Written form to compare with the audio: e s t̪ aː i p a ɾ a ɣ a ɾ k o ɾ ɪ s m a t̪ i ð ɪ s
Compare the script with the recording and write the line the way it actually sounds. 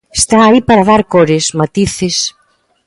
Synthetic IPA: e s t̪ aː i p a ɾ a ð a ɾ k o ɾ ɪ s m a t̪ i θ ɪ s